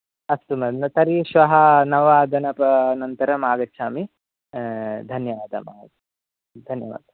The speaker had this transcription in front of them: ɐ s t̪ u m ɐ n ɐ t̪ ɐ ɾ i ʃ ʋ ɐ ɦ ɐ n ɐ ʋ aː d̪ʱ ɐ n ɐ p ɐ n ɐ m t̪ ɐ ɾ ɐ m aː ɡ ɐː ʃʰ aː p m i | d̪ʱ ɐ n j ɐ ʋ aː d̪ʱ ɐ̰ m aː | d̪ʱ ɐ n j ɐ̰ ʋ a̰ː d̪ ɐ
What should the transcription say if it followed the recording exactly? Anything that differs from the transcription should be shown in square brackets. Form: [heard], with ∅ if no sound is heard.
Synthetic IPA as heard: ɐ s t̪ u m ɐ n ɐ t̪ ɐ ɾ i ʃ ʋ ɐ ɦ ɐ n ɐ ʋ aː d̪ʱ ɐ n ɐ p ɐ n ɐ [n] t̪ ɐ ɾ ɐ m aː ɡ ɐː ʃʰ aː [∅] m i | d̪ʱ ɐ n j ɐ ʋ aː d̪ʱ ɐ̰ m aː | d̪ʱ ɐ n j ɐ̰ ʋ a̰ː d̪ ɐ